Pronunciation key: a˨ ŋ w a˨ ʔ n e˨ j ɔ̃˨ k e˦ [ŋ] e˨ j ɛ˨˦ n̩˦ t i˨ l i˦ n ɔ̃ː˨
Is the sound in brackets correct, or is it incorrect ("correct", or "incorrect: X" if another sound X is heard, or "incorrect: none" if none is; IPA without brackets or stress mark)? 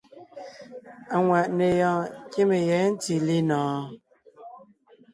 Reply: incorrect: m